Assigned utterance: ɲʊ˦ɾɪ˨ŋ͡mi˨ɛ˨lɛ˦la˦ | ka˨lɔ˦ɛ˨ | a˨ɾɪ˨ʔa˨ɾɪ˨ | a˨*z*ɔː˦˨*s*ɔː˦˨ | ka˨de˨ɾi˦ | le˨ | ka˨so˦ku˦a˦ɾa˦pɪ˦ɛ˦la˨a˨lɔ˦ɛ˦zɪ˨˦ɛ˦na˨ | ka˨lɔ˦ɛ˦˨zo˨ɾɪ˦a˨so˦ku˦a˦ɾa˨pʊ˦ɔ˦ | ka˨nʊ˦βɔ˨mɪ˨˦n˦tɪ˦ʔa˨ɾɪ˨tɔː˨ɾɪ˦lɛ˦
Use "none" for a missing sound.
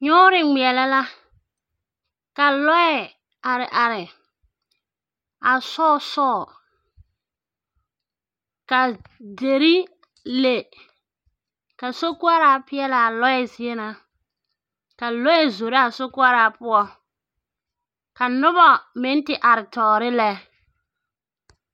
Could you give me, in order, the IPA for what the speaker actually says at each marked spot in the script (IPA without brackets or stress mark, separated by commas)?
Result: s, s